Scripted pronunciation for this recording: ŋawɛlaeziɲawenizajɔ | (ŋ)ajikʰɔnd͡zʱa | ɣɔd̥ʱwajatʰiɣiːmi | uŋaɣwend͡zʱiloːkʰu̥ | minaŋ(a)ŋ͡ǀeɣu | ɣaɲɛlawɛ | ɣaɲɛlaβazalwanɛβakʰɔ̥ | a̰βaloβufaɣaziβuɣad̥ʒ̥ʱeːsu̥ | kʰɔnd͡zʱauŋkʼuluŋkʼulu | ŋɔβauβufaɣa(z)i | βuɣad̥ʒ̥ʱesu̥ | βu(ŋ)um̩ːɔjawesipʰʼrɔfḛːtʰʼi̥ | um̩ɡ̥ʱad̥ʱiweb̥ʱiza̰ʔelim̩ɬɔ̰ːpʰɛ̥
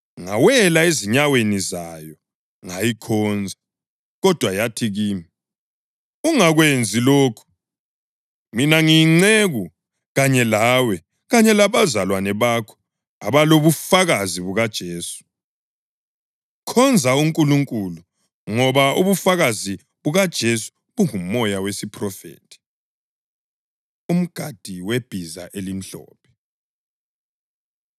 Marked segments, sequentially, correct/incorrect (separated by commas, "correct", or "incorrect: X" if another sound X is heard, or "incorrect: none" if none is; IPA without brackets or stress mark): correct, incorrect: i, correct, correct